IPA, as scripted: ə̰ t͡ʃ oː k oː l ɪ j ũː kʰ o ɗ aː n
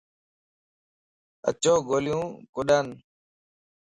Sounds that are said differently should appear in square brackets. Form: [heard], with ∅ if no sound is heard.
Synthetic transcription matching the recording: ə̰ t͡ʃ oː [ɡ] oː l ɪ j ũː [k] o ɗ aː n